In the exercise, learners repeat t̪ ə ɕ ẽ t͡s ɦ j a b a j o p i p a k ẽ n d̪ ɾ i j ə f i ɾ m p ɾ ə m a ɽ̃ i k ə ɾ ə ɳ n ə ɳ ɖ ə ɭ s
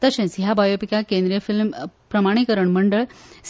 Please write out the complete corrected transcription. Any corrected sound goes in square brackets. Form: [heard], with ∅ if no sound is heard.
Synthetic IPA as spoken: t̪ ə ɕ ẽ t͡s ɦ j a b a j o p i [k] a k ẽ n d̪ ɾ i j ə f i [l] m p ɾ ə m a ɽ̃ i k ə ɾ ə ɳ [m] ə ɳ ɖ ə ɭ s